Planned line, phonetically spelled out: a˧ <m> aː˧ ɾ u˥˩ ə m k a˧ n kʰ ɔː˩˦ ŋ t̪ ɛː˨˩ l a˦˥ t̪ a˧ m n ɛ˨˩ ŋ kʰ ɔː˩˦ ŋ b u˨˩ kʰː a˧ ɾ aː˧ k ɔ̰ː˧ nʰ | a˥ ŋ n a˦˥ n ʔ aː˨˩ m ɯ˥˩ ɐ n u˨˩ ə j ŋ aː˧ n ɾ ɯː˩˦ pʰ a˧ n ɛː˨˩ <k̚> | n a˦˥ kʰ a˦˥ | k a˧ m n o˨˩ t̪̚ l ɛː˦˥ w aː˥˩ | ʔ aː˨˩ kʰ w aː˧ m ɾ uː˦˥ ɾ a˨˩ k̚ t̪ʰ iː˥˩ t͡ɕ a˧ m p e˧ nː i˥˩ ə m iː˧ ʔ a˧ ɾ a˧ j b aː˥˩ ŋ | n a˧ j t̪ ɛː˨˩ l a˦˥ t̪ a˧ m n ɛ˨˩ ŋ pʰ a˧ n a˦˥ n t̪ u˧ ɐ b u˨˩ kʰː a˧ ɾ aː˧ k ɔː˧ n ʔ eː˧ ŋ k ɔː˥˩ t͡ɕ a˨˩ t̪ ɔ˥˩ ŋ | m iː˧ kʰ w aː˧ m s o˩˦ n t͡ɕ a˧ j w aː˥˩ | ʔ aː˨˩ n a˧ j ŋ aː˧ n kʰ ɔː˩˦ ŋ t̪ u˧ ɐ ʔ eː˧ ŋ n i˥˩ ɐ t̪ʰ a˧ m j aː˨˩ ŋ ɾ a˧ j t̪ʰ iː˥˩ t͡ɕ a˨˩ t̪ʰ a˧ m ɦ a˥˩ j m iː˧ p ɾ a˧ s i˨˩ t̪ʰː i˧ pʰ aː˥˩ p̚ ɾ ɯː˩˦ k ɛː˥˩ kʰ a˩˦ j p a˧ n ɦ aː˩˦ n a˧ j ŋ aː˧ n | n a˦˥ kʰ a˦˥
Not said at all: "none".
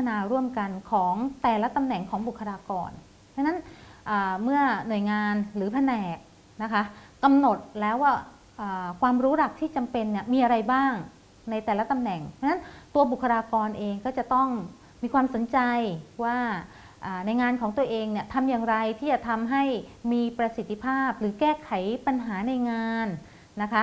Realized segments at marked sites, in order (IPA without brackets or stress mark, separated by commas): n, k̚